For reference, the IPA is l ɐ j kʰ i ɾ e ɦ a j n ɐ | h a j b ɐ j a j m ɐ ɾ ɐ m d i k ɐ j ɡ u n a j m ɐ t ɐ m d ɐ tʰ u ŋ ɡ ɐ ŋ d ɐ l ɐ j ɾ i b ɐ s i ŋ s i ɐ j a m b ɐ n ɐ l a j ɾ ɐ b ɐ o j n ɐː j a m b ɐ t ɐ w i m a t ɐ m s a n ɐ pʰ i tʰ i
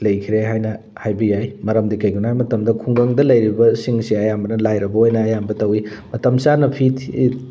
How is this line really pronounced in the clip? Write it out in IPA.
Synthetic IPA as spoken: l ɐ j kʰ i ɾ e ɦ a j n ɐ | h a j b ɐ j a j m ɐ ɾ ɐ m d i k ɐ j ɡ u n a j m ɐ t ɐ m d ɐ kʰ u ŋ ɡ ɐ ŋ d ɐ l ɐ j ɾ i b ɐ s i ŋ s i ɐ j a m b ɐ n ɐ l a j ɾ ɐ b ɐ o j n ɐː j a m b ɐ t ɐ w i m ɐ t ɐ m s a n ɐ pʰ i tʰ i